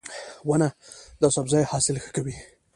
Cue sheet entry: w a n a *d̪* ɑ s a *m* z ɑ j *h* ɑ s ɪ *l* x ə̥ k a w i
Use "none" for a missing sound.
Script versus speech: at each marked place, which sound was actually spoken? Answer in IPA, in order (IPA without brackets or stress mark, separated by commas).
d̪, b, h, l